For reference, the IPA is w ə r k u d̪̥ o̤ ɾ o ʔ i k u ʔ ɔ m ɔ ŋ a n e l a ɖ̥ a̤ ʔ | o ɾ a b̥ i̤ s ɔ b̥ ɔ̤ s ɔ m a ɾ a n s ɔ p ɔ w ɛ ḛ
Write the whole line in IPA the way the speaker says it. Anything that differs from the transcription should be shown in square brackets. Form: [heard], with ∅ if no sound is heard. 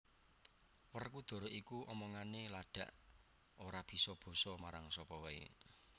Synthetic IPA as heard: w ə r k u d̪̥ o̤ ɾ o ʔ i k u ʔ ɔ m ɔ ŋ a n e l a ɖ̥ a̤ ʔ | o ɾ a b̥ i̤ s ɔ b̥ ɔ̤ s ɔ m a ɾ a [ŋ] s ɔ p ɔ w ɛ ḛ